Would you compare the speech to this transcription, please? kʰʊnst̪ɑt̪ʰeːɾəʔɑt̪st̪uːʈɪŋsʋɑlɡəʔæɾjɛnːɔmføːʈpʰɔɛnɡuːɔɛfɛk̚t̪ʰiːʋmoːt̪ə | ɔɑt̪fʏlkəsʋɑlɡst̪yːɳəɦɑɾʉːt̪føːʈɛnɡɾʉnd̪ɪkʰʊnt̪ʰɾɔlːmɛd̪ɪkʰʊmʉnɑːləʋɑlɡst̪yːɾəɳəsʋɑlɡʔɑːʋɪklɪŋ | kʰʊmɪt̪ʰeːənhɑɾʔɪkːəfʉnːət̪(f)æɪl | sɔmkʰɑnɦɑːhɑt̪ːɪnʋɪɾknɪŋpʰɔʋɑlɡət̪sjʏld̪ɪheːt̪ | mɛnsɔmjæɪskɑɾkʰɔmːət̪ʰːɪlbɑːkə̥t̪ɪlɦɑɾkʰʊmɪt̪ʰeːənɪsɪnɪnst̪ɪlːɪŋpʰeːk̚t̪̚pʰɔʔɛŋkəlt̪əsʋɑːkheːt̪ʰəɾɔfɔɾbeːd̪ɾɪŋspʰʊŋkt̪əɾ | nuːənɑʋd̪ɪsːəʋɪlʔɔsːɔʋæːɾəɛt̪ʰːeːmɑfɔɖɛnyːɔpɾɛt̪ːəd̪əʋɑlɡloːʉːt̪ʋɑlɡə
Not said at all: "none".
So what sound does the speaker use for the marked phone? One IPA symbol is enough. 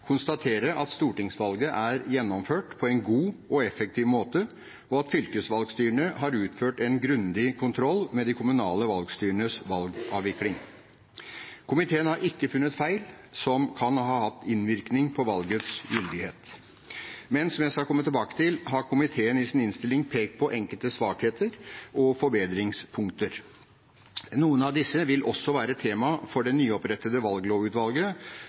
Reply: f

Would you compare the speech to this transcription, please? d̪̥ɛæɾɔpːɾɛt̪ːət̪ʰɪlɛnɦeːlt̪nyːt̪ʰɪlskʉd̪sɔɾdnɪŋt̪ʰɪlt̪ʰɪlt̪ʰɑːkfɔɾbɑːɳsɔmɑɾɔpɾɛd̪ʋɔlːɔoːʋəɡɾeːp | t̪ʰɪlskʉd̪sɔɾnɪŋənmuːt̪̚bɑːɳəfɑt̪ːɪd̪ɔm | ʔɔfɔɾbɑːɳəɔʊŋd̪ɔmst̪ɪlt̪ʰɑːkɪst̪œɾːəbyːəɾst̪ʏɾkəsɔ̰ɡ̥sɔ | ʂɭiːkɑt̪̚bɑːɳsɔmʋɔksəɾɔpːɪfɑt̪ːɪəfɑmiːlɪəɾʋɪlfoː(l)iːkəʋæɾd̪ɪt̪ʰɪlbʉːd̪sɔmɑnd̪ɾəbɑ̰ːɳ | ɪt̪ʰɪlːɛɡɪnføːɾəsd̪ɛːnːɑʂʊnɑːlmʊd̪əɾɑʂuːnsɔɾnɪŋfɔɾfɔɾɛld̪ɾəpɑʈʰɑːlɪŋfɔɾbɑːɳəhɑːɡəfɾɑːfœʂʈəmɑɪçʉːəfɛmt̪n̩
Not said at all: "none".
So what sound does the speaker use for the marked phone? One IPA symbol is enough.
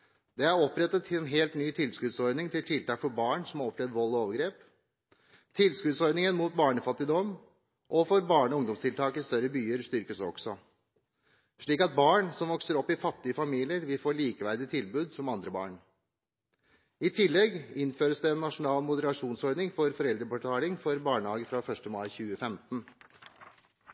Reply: ɭ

